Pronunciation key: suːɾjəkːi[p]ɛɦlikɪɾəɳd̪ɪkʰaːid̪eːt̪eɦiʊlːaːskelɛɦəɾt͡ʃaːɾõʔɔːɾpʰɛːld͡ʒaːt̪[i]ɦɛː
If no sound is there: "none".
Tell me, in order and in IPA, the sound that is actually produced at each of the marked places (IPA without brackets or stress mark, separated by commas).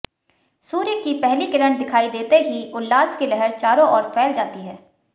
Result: p, i